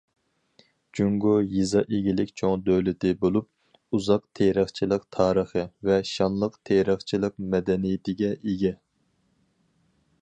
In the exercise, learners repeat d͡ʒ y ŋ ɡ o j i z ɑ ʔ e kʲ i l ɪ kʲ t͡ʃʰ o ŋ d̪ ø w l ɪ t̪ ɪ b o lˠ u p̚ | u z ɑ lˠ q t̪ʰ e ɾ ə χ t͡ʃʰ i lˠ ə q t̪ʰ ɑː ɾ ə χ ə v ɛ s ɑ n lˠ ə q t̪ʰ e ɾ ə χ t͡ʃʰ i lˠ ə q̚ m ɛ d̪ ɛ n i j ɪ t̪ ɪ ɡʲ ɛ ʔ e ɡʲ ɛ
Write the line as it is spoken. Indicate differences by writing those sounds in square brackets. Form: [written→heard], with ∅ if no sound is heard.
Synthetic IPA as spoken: d͡ʒ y ŋ ɡ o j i z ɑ ʔ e [kʲ→ɡʲ] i l ɪ kʲ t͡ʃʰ o ŋ d̪ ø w l ɪ t̪ ɪ b o lˠ u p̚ | u z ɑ [lˠ→∅] q t̪ʰ e ɾ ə χ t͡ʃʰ i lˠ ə q t̪ʰ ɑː ɾ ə χ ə v ɛ [s→ʃ] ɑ n lˠ ə q t̪ʰ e ɾ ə χ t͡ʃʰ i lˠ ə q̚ m ɛ d̪ ɛ n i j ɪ t̪ ɪ ɡʲ ɛ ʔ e ɡʲ ɛ